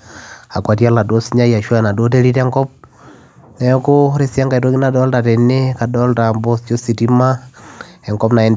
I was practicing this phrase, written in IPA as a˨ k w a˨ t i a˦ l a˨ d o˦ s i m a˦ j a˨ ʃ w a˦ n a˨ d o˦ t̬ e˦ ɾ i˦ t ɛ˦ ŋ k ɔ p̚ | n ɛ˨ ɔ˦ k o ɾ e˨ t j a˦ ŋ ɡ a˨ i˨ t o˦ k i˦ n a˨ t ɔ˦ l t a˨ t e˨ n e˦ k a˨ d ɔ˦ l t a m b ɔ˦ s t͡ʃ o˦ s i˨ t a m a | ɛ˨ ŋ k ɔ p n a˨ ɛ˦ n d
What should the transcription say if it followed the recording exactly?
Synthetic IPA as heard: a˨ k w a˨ t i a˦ l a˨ d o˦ s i ɲ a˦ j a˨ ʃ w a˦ n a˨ d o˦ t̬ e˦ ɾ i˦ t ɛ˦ ŋ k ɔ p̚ | n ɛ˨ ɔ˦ k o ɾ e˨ s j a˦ ŋ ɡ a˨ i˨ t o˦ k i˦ n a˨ d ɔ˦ l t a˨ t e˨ n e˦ k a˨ d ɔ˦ l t a m b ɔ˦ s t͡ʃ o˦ s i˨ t i m a | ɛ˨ ŋ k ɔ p n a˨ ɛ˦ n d